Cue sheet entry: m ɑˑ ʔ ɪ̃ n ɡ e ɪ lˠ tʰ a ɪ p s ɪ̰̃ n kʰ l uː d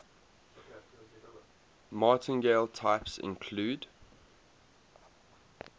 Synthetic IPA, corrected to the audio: m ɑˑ t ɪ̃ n ɡ e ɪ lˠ tʰ a ɪ p s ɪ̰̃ n kʰ l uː d